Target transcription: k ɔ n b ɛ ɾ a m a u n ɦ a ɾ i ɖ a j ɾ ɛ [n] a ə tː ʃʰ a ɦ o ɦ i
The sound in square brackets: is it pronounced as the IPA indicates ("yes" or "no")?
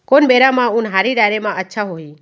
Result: no